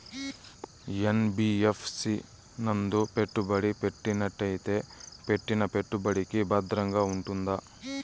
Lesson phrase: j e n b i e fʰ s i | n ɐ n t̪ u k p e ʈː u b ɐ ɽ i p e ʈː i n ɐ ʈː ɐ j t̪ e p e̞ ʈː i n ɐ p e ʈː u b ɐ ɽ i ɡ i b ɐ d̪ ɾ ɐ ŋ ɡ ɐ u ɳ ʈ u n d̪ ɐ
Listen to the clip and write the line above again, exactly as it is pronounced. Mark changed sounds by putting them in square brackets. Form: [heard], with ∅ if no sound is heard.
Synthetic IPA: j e n b i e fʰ s i | n ɐ n [d̪] u [∅] p e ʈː u b ɐ ɽ i p e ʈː i n ɐ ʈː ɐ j t̪ e p e̞ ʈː i n ɐ p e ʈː u b ɐ ɽ i [k] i b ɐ d̪ ɾ ɐ ŋ ɡ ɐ u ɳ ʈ u n d̪ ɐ